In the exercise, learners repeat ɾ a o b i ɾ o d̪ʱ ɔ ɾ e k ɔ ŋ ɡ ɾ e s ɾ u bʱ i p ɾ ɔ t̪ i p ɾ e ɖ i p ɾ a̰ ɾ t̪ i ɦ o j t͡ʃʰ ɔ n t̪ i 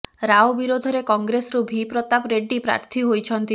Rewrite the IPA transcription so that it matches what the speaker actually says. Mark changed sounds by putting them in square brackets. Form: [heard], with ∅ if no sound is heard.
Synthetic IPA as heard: ɾ a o b i ɾ o d̪ʱ ɔ ɾ e k ɔ ŋ ɡ ɾ e s ɾ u bʱ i p ɾ ɔ t̪ [a] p ɾ e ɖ i p ɾ a̰ ɾ [t̪ʰ] i ɦ o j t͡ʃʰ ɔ n t̪ i